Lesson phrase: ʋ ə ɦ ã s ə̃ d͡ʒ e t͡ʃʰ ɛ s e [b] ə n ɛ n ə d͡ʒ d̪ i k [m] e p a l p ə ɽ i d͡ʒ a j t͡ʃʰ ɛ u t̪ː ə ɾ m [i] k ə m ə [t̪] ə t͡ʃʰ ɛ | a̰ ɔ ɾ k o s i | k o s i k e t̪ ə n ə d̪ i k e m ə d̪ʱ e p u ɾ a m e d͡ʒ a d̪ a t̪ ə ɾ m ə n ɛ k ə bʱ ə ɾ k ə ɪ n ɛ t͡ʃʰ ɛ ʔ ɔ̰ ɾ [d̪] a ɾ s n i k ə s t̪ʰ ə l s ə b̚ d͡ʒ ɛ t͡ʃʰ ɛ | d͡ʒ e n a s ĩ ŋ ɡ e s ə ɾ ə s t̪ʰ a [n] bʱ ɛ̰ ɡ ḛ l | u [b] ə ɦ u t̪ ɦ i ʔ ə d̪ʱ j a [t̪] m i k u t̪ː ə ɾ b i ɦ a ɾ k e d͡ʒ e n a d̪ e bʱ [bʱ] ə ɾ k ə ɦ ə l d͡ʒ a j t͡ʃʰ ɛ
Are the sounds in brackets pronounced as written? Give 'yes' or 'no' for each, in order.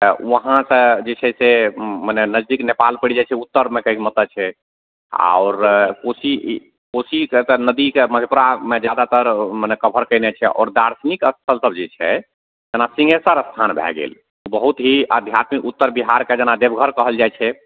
no, no, no, yes, yes, yes, yes, yes, no

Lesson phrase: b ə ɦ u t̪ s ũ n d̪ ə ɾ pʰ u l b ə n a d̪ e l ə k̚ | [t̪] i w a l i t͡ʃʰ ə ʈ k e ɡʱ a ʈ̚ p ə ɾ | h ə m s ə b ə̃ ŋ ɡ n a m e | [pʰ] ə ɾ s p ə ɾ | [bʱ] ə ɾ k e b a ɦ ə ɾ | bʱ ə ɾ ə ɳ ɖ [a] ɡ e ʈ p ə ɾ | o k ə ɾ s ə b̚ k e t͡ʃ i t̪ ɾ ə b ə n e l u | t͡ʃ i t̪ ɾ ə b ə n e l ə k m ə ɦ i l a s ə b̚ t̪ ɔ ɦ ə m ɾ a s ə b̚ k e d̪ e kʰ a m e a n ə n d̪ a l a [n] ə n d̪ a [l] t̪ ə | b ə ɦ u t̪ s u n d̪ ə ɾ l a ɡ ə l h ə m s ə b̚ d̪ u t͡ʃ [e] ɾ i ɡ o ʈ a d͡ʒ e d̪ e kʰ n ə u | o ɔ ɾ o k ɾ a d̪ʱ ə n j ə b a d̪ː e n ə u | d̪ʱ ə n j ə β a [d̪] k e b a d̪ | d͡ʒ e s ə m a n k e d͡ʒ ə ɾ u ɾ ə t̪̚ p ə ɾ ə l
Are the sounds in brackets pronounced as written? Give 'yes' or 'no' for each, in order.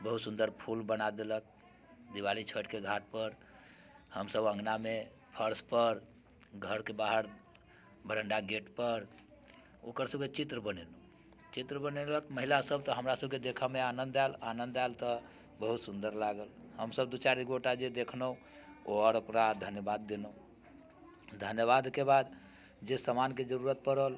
no, yes, no, yes, yes, yes, no, yes

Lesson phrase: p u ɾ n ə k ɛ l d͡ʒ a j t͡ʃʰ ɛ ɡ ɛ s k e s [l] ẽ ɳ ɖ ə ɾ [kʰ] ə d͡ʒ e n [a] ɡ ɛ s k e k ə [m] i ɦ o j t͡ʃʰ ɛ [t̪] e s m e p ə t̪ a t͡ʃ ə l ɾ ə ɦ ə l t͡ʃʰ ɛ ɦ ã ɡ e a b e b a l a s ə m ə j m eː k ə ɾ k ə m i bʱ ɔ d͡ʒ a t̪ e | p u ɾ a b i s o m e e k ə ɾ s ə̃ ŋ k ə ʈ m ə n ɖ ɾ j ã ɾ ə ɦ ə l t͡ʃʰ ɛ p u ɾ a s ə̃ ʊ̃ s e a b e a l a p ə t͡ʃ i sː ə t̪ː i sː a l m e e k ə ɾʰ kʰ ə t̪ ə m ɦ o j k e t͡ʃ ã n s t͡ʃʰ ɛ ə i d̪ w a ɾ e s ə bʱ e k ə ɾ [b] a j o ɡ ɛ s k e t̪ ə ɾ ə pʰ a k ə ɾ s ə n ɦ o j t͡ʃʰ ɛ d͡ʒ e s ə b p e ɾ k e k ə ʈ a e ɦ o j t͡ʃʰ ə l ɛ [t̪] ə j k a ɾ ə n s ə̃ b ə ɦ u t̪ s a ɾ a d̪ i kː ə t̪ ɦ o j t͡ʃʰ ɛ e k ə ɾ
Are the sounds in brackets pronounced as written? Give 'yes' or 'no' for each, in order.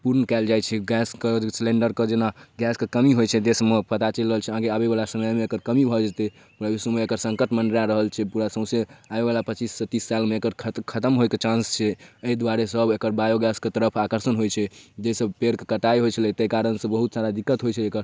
yes, no, yes, yes, no, yes, yes

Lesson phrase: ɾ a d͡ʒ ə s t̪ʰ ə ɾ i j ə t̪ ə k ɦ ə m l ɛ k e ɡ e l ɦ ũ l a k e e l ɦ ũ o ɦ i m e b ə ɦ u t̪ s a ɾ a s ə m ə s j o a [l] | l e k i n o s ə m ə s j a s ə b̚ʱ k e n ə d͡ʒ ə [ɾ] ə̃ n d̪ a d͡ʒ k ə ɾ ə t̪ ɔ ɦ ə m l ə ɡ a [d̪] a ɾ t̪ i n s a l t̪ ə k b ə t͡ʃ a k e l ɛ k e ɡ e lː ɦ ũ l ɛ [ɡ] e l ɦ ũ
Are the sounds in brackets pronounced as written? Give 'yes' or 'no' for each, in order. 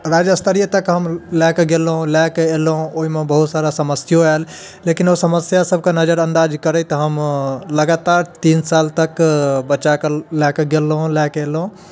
yes, yes, no, no

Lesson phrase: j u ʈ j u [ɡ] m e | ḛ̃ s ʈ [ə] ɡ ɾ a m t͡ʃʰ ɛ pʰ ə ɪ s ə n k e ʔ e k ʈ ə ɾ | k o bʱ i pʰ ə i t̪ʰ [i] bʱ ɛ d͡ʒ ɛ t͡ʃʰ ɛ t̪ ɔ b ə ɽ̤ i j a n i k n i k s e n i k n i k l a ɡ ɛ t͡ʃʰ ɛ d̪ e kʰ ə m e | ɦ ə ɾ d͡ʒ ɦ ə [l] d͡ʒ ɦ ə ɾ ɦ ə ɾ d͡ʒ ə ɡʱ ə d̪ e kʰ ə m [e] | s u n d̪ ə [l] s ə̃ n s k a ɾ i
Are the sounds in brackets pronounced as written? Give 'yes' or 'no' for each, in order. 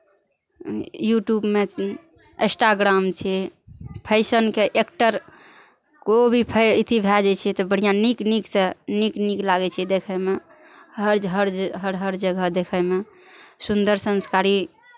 no, no, yes, no, yes, no

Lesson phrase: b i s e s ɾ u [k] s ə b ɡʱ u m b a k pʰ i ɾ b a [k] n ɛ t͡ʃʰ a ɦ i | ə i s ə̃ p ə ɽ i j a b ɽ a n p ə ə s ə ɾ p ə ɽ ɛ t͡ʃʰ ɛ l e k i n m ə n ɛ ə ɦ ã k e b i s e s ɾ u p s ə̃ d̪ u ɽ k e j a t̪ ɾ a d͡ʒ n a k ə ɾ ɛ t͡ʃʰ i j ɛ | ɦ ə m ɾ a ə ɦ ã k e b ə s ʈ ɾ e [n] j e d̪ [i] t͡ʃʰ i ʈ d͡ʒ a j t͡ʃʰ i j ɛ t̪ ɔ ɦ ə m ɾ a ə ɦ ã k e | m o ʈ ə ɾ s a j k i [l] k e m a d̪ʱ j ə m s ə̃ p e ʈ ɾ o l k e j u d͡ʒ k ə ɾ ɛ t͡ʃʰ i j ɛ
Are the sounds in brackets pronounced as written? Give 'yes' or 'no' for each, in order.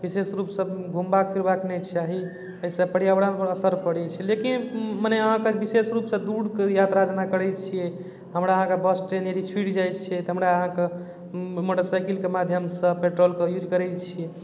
no, yes, yes, yes, yes

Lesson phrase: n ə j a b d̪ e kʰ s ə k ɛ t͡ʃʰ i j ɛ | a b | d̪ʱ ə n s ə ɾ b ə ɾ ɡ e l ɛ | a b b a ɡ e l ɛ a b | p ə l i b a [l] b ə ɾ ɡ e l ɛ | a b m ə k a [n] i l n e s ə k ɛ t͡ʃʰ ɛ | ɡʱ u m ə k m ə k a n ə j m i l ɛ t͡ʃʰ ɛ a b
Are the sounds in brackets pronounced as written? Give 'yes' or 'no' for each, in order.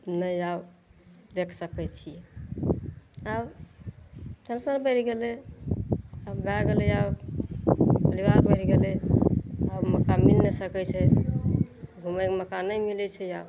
no, no

